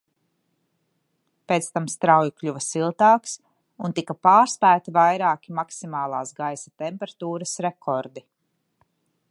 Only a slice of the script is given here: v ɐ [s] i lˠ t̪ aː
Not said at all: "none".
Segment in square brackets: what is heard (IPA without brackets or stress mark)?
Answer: s